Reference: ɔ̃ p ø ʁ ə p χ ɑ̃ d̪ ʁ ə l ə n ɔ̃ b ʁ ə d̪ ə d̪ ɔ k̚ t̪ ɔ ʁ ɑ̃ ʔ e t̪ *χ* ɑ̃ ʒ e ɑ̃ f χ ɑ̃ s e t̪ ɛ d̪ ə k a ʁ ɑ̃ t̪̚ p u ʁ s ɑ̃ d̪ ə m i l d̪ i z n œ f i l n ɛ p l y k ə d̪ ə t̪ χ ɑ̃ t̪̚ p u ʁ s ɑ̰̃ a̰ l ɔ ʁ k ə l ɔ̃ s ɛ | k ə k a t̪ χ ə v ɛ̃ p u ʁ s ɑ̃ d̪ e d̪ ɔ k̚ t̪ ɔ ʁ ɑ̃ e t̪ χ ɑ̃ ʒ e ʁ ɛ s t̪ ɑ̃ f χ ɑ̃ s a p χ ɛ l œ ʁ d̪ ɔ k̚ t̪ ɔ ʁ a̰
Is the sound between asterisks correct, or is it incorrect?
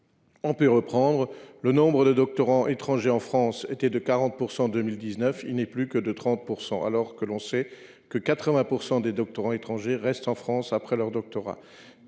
correct